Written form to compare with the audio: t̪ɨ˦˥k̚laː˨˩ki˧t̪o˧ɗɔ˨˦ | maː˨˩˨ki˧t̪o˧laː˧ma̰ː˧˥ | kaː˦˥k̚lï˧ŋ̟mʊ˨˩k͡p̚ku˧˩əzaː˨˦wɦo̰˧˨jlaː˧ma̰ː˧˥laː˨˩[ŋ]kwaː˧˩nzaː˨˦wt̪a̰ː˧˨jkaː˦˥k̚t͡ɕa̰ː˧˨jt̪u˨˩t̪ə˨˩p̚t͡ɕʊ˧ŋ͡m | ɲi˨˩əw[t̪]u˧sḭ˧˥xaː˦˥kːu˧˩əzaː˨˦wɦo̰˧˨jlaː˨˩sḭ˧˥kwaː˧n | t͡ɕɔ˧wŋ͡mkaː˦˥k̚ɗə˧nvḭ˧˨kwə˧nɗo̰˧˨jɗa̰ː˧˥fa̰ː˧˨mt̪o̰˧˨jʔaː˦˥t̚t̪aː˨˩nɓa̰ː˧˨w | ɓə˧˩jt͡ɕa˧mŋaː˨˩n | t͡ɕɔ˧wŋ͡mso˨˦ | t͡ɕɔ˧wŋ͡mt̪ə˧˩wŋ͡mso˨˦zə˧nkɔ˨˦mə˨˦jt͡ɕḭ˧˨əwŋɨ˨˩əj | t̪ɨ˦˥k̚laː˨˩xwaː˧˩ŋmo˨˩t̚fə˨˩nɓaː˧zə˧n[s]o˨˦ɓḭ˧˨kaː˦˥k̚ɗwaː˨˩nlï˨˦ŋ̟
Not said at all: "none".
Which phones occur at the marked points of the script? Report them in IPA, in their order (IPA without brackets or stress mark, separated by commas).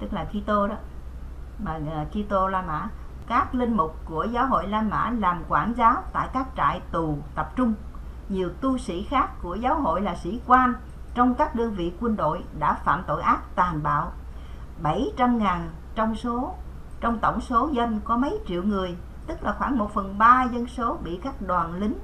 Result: m, t̪, s